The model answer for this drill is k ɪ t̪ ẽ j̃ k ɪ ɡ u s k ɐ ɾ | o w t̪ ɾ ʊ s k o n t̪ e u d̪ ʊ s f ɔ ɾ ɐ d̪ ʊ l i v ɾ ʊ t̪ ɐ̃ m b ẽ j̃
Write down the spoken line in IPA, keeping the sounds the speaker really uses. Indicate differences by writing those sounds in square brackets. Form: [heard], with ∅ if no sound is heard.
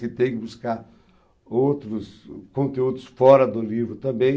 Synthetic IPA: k ɪ t̪ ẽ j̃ k ɪ [b] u s k [a] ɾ | o w t̪ ɾ ʊ s k [õ] n t̪ e u d̪ ʊ s f ɔ ɾ ɐ d̪ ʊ l i v ɾ ʊ t̪ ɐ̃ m b ẽ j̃